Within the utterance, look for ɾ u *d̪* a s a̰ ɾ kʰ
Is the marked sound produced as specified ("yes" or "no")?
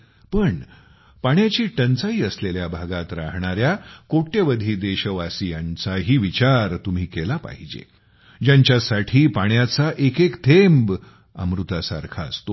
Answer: no